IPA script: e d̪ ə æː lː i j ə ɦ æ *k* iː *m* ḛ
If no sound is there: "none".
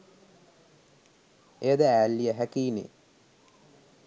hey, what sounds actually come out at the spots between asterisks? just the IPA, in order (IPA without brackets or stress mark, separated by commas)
k, n